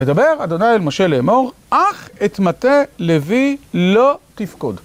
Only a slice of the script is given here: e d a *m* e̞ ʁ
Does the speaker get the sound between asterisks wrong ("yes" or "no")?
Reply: yes